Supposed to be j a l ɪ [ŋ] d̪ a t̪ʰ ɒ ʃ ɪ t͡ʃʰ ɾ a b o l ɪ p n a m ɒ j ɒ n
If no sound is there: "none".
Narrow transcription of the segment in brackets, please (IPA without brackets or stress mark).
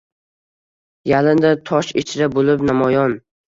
n